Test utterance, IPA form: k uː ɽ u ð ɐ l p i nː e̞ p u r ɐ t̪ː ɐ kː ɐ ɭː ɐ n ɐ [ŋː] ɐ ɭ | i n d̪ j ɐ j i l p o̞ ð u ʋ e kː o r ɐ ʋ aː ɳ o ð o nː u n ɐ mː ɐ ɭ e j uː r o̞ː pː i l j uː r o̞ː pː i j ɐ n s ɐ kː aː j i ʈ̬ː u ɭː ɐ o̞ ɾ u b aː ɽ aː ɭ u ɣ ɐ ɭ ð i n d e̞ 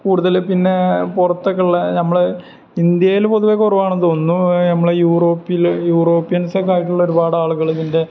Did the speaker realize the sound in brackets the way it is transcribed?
no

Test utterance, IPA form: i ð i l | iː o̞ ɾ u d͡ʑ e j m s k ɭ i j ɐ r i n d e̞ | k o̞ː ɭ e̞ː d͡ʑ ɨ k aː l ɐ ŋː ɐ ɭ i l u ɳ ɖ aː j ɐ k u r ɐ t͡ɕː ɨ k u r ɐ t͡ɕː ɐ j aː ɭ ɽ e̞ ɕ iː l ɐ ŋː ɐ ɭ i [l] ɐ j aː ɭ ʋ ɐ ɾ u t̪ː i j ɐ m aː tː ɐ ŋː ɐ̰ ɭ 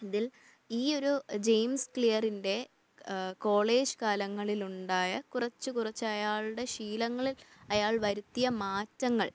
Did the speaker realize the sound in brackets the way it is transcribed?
yes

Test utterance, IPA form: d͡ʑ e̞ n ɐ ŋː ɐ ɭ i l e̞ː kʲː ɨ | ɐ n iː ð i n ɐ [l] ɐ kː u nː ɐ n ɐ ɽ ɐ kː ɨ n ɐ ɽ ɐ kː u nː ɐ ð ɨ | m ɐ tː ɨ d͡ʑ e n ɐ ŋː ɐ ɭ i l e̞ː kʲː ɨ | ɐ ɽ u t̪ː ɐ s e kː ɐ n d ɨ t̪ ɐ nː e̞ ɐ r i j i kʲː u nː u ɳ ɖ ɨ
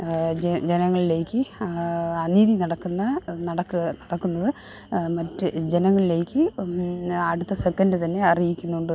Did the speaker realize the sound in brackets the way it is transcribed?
no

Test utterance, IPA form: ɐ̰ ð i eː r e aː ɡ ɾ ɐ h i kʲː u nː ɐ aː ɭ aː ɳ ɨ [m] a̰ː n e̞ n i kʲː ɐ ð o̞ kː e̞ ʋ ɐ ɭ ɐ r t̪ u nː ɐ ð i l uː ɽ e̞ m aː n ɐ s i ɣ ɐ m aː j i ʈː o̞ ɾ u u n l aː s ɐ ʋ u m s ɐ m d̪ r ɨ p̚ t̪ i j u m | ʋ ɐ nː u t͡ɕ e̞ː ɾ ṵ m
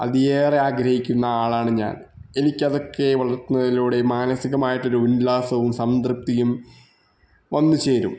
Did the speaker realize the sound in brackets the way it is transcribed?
no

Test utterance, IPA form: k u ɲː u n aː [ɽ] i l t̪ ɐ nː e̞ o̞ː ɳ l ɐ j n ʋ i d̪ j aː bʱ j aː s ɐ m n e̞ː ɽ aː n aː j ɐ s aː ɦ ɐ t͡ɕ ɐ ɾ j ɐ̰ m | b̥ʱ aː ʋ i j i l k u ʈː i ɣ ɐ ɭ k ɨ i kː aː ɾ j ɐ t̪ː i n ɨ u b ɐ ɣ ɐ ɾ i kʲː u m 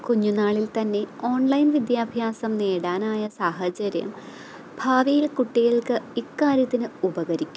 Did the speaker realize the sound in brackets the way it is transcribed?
no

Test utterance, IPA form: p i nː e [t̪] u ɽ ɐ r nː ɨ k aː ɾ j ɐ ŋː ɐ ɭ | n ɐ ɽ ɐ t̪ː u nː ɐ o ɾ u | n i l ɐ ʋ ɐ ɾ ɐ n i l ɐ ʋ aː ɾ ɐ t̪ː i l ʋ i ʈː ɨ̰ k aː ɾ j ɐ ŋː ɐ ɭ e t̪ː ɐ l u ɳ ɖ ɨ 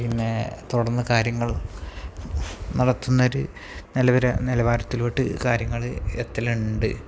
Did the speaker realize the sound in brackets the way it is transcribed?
yes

